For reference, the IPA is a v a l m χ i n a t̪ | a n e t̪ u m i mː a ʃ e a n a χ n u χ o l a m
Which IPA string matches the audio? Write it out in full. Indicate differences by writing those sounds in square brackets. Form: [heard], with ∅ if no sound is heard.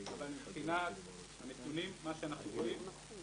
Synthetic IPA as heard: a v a l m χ i n a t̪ | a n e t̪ u [n] i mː a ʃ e a n a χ n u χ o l [i] m